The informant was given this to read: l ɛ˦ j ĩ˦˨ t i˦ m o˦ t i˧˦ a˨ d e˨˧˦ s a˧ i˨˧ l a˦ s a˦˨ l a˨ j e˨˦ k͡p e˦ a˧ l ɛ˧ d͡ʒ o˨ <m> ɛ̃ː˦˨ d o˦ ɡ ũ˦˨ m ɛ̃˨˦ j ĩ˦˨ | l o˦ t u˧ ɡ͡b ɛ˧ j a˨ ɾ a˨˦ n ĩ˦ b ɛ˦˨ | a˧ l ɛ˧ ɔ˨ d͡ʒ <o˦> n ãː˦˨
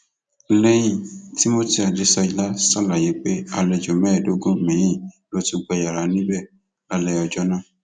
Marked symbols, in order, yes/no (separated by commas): yes, no